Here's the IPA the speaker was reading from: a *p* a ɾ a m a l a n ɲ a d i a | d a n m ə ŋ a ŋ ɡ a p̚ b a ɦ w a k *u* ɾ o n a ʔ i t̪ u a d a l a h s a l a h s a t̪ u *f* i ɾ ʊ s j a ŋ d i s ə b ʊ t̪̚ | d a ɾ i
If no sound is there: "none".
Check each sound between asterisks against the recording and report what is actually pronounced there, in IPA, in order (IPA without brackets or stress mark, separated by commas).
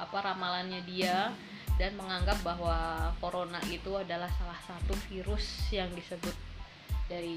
p, o, f